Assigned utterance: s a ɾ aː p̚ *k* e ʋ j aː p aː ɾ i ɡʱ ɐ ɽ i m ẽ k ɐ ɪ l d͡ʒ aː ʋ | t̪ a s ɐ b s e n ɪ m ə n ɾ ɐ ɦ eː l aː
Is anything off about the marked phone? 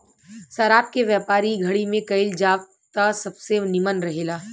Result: no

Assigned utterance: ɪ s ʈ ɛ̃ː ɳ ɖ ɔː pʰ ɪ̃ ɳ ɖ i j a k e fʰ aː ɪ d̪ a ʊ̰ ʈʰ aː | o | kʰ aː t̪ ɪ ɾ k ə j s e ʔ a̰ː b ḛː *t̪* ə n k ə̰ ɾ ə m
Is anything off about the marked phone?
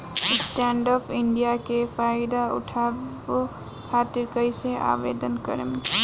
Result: yes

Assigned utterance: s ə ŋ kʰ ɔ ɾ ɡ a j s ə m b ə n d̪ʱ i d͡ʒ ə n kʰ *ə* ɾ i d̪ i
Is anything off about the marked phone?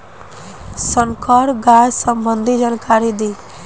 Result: yes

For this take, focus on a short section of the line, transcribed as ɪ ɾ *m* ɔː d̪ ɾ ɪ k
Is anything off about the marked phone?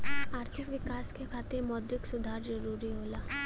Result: no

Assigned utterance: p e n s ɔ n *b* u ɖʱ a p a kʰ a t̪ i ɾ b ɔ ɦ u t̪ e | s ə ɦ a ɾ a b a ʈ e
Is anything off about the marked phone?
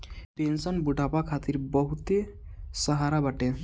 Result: no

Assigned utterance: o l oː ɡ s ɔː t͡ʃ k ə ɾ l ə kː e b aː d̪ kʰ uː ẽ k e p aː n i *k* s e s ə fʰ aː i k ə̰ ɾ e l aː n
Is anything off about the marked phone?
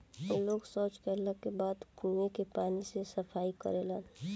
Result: yes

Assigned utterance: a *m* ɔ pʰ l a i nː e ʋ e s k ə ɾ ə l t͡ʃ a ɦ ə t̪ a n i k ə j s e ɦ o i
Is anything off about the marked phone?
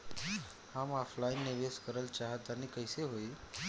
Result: no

